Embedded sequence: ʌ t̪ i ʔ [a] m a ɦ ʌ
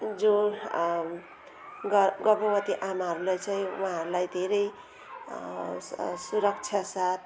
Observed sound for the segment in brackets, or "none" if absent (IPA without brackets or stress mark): a